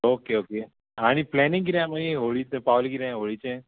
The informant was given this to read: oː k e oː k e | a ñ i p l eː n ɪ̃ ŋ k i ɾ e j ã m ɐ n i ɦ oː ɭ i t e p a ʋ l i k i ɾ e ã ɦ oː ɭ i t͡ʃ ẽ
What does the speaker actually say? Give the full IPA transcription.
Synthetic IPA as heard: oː k e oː k e | a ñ i p l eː n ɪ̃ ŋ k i ɾ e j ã m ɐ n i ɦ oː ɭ i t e p a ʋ l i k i ɾ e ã ɦ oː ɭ i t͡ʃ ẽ